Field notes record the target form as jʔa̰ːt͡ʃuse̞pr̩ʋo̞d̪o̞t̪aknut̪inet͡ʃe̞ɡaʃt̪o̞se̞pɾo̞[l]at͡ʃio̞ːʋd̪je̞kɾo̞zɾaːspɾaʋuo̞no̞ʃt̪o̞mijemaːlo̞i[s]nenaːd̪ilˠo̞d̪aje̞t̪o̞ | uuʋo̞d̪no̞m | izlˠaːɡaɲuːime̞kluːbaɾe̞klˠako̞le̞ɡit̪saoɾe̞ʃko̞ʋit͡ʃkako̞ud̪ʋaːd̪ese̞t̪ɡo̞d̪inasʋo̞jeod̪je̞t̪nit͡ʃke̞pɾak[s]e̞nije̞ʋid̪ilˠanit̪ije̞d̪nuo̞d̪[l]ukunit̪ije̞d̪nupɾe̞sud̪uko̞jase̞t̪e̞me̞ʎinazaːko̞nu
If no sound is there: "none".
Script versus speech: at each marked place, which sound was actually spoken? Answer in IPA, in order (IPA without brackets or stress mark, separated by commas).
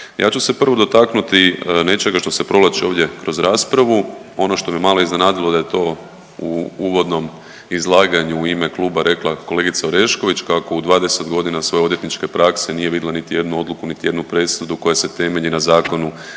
l, z, s, l